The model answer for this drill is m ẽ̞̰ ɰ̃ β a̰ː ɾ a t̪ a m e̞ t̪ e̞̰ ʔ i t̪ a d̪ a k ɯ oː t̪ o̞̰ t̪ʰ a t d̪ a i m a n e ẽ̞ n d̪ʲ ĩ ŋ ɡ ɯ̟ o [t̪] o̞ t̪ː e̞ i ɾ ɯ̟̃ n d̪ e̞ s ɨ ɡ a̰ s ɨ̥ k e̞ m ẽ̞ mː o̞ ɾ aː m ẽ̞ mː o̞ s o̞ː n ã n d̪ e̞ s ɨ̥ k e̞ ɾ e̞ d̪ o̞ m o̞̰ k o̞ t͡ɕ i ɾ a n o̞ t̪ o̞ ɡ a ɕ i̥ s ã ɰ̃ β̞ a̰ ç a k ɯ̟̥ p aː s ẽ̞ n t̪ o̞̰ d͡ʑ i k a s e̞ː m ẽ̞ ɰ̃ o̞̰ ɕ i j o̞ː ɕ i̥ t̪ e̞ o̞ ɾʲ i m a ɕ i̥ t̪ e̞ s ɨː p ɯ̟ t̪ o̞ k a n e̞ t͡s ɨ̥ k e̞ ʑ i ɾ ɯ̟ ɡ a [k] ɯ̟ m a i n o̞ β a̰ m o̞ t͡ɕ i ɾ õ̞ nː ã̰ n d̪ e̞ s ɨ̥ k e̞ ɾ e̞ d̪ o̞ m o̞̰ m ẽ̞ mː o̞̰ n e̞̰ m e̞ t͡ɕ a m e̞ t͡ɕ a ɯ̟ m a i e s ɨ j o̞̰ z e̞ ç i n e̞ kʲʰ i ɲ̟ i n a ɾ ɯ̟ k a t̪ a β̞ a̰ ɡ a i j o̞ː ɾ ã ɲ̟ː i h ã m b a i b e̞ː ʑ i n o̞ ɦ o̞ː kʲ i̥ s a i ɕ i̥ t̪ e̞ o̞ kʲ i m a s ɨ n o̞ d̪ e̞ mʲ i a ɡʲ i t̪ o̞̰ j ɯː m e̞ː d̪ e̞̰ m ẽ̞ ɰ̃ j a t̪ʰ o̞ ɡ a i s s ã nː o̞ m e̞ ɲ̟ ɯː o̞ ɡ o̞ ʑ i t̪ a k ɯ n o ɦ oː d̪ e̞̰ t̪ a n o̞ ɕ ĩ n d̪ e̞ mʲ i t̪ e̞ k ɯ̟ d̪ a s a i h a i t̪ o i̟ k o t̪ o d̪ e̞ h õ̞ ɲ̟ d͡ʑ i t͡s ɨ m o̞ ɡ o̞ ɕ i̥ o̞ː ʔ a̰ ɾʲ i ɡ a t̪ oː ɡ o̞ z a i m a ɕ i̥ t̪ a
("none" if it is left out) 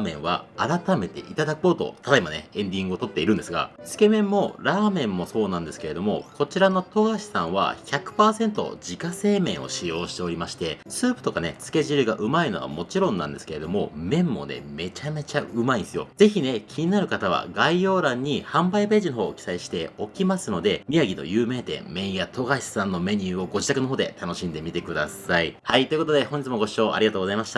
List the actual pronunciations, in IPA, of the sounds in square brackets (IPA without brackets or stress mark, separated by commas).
t̪, ʔ